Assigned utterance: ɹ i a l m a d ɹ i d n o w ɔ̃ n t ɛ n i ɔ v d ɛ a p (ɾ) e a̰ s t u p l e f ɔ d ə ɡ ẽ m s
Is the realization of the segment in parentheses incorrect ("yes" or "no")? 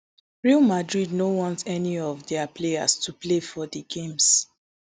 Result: yes